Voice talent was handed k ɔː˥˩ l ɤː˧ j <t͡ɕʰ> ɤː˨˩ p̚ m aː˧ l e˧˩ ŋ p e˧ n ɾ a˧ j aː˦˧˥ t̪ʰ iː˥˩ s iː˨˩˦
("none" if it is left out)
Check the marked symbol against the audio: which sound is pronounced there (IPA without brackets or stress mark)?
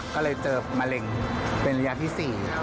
t͡ɕ